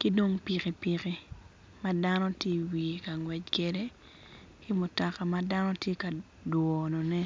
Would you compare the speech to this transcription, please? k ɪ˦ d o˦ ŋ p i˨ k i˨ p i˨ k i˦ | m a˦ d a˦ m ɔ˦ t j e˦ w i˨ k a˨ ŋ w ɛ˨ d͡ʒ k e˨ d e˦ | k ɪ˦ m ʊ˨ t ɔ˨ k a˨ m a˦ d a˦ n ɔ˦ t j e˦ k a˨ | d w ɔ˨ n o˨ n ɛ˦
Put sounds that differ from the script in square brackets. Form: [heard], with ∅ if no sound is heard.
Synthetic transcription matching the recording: k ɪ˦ d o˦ ŋ p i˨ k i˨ p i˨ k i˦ | m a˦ d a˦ [n] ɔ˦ t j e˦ w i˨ k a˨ ŋ w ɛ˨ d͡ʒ k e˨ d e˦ | k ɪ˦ m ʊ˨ t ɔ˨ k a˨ m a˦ d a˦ n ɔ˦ t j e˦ k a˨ | d w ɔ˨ n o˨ n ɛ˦